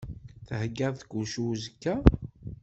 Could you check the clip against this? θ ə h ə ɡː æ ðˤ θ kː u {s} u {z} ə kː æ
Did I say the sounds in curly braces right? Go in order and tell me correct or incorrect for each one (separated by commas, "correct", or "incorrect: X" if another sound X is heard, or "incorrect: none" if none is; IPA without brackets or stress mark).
incorrect: ʃ, correct